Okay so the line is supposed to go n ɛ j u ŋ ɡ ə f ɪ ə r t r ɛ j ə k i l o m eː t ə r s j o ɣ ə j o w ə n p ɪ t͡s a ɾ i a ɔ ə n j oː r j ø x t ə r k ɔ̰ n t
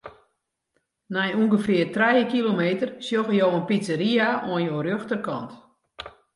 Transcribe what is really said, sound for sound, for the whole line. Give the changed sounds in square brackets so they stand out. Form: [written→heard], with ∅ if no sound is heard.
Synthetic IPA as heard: n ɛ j u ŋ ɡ ə f ɪ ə r t r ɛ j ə k i l o m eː t ə r s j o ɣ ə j o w ə n p [ɪ→i] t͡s [a→ə] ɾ i a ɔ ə n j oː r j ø x t ə r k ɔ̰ n t